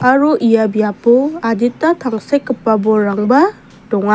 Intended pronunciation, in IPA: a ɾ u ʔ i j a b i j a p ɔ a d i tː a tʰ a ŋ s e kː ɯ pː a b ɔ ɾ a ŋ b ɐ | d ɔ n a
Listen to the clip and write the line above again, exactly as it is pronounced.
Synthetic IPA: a ɾ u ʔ i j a b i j a p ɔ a d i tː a tʰ a ŋ s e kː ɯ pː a b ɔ ɾ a ŋ b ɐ | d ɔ ŋ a

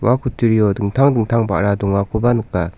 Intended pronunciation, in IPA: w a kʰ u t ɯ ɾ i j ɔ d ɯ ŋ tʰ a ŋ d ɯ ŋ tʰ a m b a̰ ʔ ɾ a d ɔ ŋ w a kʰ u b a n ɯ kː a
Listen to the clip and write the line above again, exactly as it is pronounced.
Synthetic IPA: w a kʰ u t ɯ ɾ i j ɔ d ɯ ŋ tʰ a ŋ d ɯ ŋ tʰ a ŋ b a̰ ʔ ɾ a d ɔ ŋ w a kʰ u b a n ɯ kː a

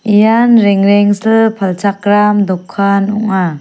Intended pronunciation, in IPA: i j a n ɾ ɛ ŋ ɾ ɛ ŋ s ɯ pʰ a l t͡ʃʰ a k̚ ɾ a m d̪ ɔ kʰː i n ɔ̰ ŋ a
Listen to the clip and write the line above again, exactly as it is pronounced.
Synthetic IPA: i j a n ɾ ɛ ŋ ɾ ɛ ŋ s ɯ pʰ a l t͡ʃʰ a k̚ ɾ a m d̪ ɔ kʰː a n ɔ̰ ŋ a

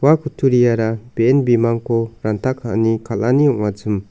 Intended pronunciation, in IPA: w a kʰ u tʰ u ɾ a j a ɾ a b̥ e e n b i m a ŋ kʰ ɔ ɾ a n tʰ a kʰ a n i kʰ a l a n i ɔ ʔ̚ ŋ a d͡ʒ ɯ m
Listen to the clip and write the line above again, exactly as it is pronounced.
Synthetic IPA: w a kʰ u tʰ u ɾ i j a ɾ a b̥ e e n b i m a ŋ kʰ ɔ ɾ a n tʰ a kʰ a n i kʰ a l a n i ɔ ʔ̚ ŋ a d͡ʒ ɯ m

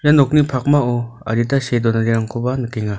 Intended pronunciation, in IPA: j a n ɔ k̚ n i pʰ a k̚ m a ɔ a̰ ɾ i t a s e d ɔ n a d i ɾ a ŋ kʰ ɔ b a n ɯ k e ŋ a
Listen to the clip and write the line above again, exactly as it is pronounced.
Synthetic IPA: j a n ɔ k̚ n i pʰ a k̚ m a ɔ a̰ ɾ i t a s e d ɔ n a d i ɾ a ŋ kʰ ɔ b a n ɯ k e ŋ a

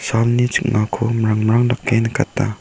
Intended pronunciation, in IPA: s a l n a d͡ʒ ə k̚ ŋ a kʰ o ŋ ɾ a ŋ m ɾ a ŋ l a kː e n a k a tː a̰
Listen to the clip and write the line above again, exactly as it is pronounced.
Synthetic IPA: s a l n i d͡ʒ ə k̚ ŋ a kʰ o m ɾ a ŋ m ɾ a ŋ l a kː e n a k a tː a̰

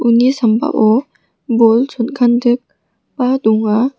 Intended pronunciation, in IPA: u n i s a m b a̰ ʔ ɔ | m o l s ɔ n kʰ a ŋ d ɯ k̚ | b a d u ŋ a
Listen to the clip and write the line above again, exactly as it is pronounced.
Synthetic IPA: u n i s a m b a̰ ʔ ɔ | b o l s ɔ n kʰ a n d ɯ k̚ | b a d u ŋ a

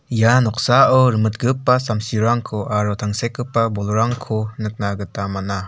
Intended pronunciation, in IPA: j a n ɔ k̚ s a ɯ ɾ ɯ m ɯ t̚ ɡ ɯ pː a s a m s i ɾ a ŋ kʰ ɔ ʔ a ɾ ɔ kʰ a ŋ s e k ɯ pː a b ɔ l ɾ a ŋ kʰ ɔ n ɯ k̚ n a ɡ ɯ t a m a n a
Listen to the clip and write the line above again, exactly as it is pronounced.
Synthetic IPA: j a n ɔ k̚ s a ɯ ɾ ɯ m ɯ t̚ ɡ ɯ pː a s a m s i ɾ a ŋ kʰ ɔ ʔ a ɾ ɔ tʰ a ŋ s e k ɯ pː a b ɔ l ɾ a ŋ kʰ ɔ n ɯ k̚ n a ɡ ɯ t a m a n a

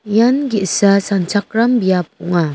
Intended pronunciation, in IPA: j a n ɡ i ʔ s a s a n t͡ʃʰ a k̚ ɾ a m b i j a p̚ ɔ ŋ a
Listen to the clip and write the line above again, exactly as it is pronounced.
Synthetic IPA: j a n ɡ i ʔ s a s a n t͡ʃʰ a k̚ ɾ a m b i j a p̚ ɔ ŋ a

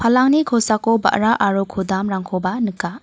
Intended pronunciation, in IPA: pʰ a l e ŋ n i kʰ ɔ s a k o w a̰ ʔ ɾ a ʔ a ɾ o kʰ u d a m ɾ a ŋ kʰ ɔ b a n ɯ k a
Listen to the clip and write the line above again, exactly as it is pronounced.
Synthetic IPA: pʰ a l a ŋ n i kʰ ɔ s a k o b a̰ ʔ ɾ a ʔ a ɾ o kʰ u d a m ɾ a ŋ kʰ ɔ b a n ɯ k a

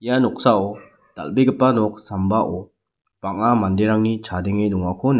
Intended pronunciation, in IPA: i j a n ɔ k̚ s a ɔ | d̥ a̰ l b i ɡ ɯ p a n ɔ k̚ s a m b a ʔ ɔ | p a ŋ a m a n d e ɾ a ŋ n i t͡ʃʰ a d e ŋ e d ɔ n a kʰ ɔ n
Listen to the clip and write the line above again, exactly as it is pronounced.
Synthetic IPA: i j a n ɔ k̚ s a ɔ | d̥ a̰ l b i ɡ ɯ p a n ɔ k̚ s a m b a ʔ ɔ | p a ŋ a m a n d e ɾ a ŋ n i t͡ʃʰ a d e ŋ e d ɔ ŋ a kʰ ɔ n

